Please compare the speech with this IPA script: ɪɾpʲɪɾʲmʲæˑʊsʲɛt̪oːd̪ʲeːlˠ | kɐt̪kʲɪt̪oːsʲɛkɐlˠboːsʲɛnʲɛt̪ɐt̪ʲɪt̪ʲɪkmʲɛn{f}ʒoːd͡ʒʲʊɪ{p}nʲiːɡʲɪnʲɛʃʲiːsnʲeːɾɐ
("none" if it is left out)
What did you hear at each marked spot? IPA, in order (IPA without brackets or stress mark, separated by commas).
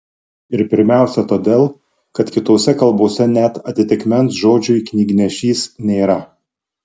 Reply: s, k